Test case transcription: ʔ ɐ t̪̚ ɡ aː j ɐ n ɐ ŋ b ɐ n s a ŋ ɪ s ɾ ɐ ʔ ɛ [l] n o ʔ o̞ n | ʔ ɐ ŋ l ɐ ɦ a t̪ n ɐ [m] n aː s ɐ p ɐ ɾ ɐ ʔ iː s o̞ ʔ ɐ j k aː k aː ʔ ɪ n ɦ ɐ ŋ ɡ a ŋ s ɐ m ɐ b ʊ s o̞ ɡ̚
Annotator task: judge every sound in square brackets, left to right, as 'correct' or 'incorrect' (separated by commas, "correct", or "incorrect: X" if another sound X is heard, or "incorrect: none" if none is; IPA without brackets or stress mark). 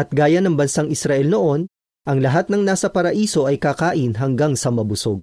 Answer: correct, incorrect: ŋ